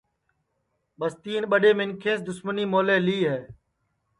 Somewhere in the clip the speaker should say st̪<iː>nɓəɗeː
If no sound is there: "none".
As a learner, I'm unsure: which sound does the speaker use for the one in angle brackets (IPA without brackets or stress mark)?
iː